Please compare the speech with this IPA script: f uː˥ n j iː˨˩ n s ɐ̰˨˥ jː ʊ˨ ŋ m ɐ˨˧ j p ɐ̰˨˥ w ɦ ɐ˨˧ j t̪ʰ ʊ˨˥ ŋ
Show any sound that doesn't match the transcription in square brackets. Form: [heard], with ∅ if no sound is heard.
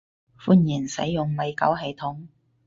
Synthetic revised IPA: f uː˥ n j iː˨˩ n s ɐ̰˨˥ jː ʊ˨ ŋ m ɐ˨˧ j [k] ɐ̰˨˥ w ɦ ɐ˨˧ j t̪ʰ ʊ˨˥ ŋ